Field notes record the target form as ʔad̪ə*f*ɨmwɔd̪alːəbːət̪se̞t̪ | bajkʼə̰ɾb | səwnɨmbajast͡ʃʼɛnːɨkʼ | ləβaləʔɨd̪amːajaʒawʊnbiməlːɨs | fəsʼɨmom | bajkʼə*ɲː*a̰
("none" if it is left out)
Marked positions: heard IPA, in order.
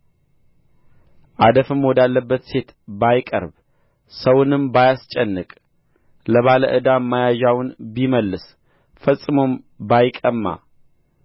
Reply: f, mː

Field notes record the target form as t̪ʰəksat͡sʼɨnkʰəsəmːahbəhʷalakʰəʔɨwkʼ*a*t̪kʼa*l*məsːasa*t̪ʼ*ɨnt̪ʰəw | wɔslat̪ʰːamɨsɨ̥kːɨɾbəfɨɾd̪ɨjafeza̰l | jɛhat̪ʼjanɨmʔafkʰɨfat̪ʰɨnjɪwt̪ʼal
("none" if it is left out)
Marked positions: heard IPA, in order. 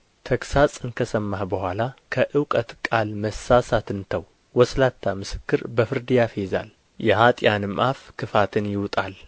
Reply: ə, l, t̪

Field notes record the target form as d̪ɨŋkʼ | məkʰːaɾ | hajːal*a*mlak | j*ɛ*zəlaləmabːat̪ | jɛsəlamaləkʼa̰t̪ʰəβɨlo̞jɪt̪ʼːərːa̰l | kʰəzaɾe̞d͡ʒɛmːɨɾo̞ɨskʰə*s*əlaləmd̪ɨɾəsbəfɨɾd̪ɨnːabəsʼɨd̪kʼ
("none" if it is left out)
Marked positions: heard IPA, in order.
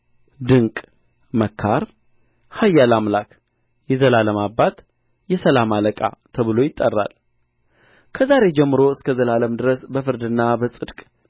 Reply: a, ɛ, z

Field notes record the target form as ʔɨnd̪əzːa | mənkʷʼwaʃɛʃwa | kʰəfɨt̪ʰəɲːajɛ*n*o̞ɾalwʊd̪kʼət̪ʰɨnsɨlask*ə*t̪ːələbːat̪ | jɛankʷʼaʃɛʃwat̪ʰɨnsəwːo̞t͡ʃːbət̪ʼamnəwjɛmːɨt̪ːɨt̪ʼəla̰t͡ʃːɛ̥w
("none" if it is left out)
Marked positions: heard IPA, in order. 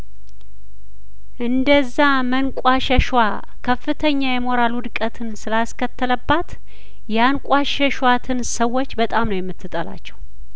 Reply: m, ə

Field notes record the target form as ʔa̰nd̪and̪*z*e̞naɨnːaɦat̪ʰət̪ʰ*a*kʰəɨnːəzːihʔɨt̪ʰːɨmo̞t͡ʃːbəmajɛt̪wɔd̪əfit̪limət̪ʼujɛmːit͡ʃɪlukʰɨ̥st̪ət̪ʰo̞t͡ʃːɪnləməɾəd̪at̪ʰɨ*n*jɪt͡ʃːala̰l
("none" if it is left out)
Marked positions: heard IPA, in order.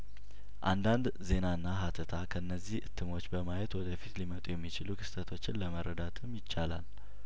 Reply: z, a, m

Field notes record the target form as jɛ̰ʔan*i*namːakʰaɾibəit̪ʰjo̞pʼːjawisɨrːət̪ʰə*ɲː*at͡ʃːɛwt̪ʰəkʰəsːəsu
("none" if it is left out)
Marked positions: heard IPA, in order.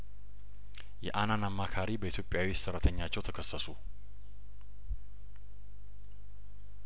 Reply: a, ɲː

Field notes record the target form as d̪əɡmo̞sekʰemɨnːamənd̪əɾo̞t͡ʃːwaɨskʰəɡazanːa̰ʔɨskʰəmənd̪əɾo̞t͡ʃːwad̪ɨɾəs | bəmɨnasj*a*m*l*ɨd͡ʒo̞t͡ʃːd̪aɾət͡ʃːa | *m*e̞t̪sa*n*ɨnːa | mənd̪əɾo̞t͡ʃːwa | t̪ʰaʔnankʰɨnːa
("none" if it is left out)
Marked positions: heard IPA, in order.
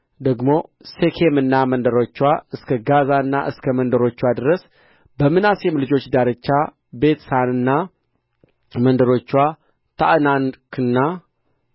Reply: ɛ, l, b, n

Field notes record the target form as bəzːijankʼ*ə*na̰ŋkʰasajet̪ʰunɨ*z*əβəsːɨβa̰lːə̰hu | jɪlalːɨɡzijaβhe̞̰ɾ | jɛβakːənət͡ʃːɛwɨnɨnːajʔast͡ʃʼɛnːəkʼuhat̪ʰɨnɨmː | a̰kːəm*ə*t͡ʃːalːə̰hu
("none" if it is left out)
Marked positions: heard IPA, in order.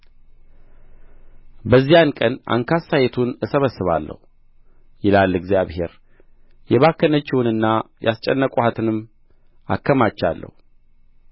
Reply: ə, s, a

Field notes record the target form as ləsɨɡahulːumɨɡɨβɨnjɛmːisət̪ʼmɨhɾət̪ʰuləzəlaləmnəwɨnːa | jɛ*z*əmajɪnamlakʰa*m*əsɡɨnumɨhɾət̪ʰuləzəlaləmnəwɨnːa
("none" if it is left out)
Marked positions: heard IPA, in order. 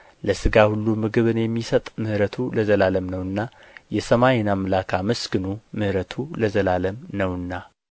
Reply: s, m

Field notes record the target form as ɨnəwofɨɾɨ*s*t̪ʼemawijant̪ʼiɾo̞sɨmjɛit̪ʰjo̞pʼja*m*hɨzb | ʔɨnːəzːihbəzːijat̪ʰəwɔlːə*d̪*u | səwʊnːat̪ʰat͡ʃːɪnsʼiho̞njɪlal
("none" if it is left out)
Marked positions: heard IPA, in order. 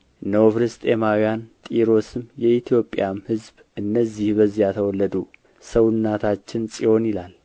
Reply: s, m, d̪

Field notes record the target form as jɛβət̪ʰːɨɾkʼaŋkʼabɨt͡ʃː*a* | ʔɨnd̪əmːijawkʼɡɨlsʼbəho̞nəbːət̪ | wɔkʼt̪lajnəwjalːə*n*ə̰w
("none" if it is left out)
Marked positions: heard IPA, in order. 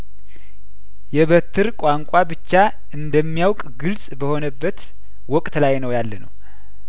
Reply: a, n

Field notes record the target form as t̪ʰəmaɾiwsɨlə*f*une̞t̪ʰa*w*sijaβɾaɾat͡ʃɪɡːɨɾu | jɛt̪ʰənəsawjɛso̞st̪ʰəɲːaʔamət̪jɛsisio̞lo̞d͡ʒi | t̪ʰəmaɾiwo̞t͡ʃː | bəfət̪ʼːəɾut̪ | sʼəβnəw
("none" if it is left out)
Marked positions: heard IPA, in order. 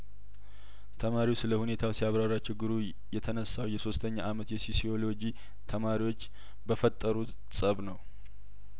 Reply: h, w

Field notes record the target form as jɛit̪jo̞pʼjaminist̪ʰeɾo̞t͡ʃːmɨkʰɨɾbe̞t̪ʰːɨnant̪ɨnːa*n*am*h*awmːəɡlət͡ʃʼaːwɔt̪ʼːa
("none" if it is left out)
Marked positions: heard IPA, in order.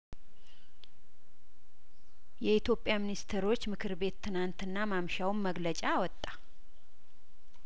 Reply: m, ʃ

